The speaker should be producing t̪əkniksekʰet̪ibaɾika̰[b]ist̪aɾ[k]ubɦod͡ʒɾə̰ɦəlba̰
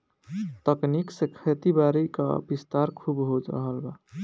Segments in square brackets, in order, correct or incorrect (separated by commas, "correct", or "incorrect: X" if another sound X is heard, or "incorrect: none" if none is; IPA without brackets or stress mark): correct, incorrect: kʰ